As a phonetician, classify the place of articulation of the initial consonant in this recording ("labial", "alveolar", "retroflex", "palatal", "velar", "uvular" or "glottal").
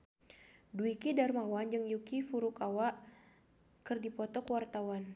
alveolar